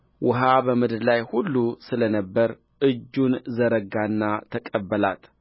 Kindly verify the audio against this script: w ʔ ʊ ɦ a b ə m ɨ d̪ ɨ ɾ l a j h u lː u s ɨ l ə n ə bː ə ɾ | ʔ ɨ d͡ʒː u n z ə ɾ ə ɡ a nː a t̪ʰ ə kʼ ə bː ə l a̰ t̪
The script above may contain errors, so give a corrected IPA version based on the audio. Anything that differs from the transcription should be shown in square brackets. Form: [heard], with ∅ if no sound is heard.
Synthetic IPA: w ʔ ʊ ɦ a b ə m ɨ d̪ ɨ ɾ l a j h u lː u s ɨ l ə n ə bː ə ɾ | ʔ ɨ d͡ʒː u n z ə ɾ ə ɡ a nː a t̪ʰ ə kʼ ə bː ə l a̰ t̪